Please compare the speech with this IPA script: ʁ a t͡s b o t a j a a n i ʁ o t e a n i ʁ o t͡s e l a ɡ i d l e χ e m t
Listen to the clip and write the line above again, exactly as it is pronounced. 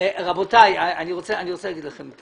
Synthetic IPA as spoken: ʁ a b o t a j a a n i ʁ o t͡s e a n i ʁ o t͡s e l a ɡ i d l a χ e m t